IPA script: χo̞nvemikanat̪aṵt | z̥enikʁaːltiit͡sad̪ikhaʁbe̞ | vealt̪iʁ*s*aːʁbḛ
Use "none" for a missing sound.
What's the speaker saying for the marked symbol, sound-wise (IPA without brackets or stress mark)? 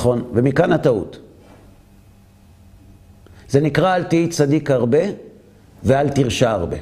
ʃ